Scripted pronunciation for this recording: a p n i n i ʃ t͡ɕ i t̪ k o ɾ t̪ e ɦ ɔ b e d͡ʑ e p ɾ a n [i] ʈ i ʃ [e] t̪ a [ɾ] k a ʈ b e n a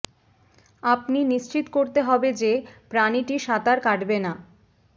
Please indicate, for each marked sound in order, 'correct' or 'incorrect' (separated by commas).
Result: correct, incorrect, correct